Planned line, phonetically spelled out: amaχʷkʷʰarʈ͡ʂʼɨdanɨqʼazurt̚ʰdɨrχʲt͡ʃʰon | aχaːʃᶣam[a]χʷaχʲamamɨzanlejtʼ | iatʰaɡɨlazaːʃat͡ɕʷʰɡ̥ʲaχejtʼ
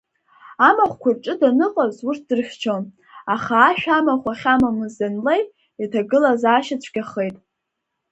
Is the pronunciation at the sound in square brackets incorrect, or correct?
correct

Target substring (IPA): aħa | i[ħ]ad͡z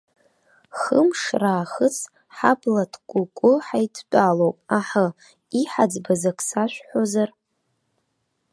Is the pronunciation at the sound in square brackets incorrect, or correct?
correct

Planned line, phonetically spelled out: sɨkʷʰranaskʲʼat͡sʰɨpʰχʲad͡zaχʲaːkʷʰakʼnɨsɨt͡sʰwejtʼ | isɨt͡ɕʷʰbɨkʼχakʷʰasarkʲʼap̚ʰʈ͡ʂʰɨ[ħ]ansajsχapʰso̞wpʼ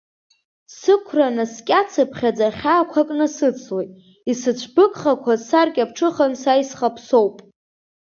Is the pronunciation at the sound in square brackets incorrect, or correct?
incorrect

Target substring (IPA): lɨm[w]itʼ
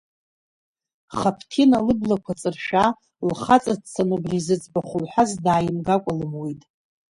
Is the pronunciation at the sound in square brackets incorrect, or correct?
correct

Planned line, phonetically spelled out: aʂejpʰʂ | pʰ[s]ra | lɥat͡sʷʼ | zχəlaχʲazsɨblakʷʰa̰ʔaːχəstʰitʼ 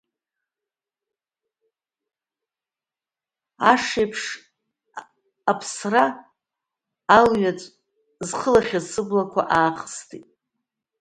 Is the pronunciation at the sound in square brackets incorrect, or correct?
correct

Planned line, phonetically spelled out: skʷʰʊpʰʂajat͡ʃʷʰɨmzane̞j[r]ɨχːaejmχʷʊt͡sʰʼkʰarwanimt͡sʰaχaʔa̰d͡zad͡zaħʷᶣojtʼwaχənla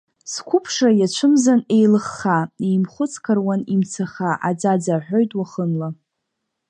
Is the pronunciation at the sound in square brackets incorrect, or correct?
incorrect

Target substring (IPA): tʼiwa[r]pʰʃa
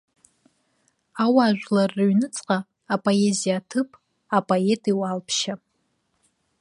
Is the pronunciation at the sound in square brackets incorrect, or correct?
incorrect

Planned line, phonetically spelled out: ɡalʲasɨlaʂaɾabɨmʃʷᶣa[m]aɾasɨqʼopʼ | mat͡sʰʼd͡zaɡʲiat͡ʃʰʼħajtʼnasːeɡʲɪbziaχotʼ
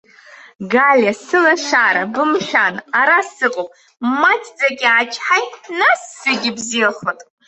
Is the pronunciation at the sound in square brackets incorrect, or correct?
incorrect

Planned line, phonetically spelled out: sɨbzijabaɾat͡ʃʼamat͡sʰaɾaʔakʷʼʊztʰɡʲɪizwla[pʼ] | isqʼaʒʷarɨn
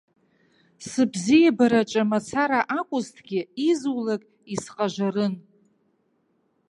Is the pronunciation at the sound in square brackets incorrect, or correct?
incorrect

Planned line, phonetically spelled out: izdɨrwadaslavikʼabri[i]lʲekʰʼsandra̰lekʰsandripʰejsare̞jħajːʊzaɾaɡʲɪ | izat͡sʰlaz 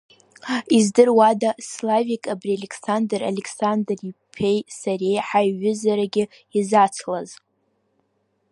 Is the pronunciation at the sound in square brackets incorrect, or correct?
incorrect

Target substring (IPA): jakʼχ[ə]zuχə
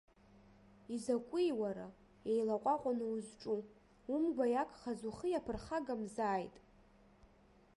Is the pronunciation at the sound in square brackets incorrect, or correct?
incorrect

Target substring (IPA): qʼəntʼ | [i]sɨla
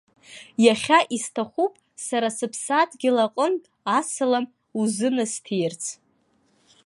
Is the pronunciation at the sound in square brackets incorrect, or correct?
incorrect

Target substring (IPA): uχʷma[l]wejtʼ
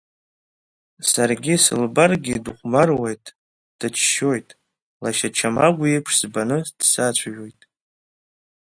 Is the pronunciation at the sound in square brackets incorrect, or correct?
incorrect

